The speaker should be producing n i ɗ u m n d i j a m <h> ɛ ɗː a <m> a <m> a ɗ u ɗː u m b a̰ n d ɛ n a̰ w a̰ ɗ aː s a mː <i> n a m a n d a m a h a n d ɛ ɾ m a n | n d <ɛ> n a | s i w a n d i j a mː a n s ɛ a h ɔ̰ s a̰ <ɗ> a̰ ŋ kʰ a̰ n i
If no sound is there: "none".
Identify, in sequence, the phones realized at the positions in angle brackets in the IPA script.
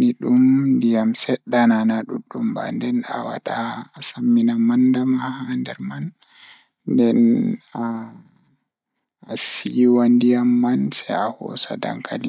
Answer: s, n, n, i, ɛ, d

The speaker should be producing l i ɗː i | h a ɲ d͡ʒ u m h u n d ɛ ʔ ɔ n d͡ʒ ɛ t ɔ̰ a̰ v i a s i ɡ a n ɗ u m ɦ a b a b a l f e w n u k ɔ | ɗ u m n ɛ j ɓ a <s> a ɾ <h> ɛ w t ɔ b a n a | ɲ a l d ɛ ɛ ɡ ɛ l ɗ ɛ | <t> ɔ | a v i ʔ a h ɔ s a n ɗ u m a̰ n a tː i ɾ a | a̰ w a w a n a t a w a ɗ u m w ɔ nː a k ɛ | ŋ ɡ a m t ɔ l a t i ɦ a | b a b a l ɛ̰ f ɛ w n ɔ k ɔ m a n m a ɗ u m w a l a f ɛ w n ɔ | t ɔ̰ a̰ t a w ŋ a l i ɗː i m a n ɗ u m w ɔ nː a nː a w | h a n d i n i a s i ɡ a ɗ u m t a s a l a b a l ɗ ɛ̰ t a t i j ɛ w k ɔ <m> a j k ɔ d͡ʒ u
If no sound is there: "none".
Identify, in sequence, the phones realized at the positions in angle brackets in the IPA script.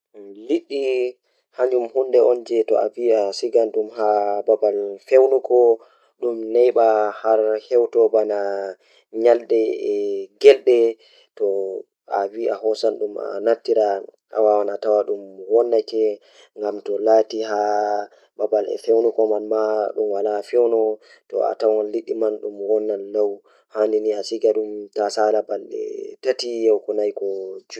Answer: h, h, t, n

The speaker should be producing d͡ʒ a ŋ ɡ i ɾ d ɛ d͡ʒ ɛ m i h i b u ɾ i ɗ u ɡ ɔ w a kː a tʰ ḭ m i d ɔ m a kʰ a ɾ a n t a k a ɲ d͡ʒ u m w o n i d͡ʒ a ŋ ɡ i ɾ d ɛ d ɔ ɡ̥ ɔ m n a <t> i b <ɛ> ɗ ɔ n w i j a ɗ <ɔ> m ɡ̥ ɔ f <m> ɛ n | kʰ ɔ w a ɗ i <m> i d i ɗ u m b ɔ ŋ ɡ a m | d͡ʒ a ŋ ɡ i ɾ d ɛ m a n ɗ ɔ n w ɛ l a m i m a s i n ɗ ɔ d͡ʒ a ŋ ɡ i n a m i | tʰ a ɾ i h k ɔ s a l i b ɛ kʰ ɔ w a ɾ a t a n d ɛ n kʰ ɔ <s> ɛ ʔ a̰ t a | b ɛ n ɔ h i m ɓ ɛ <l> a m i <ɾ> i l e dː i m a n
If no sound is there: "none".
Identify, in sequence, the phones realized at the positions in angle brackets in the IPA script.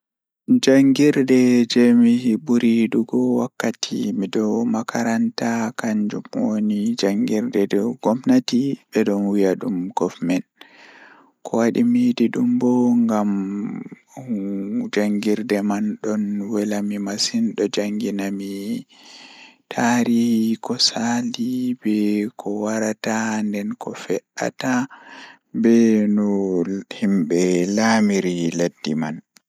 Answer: t, ɛ, u, m, m, f, l, ɾ

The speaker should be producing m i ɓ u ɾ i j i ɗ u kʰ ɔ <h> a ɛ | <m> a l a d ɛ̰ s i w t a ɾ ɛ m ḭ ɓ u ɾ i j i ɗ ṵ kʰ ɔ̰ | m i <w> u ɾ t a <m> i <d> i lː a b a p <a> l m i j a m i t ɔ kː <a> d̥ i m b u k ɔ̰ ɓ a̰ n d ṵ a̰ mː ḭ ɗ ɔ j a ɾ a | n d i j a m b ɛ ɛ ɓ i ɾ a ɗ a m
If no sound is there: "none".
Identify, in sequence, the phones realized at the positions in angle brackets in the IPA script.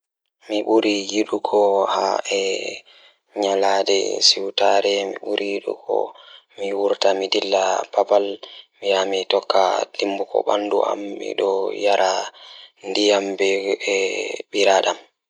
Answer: h, ɲ, w, m, d, a, a

